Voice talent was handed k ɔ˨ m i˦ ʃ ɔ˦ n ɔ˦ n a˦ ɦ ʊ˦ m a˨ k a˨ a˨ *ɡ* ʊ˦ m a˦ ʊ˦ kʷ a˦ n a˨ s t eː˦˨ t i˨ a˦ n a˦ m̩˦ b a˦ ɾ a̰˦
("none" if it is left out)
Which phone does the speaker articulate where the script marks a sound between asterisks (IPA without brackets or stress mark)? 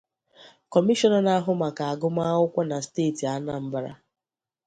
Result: ɡ